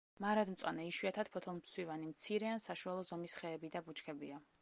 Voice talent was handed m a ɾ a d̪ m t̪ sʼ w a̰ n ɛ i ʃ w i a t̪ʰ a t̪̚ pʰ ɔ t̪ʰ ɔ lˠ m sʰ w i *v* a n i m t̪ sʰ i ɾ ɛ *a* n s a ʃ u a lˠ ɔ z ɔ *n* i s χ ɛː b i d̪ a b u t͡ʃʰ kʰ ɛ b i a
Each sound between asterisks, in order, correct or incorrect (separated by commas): correct, correct, incorrect